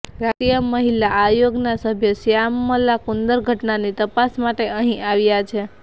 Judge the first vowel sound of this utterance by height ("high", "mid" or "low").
low